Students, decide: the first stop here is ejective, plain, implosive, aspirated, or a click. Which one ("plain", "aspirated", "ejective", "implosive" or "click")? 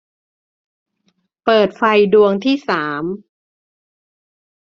plain